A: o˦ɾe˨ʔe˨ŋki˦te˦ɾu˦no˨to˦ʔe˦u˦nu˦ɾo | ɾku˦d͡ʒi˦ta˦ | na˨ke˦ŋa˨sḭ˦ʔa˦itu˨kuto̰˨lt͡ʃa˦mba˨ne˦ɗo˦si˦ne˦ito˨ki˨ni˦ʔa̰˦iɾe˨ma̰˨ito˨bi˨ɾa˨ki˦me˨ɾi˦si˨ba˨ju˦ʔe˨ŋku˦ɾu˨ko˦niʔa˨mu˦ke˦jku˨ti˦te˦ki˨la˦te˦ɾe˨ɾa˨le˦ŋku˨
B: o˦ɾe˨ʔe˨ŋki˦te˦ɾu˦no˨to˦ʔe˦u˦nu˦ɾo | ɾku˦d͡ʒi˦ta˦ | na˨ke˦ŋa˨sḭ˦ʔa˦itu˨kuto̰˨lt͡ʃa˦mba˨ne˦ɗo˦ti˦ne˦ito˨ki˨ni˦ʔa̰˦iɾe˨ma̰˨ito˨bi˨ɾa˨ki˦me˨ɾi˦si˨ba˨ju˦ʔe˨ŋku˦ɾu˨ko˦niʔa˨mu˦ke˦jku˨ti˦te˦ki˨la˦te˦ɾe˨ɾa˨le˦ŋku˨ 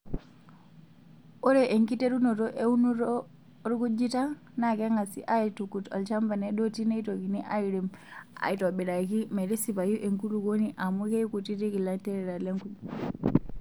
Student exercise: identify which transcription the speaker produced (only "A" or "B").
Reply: B